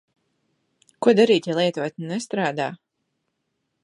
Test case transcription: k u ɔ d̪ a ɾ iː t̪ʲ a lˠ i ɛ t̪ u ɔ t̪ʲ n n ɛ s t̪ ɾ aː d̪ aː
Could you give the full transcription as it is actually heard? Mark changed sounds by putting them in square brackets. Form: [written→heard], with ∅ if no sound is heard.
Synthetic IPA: k u ɔ d̪ a ɾ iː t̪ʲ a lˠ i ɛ t̪ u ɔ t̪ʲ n n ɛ s t̪ ɾ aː d̪ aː

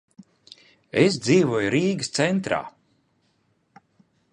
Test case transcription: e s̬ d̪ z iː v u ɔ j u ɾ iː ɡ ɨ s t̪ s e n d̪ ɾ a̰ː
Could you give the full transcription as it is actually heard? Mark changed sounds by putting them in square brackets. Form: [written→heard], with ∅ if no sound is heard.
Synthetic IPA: e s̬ d̪ z iː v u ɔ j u ɾ iː ɡ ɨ s t̪ s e n [d̪→t̪] ɾ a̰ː

